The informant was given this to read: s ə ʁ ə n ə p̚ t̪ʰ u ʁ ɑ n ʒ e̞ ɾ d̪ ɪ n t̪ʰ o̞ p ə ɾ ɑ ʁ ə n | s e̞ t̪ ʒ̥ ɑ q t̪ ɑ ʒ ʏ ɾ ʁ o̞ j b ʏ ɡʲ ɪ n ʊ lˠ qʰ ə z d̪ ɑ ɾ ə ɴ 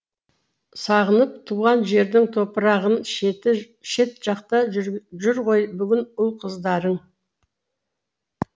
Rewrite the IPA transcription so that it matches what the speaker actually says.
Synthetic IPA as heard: s ɑ ʁ ə n ə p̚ t̪ʰ u ʁ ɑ n ʒ e̞ ɾ d̪ ɪ ŋ t̪ʰ o̞ p ə ɾ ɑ ʁ ə n | ʃ e̞ t̪ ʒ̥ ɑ q t̪ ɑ ʒ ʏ ɾ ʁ o̞ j b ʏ ɡʲ ɪ n ʊ lˠ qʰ ə z d̪ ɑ ɾ ə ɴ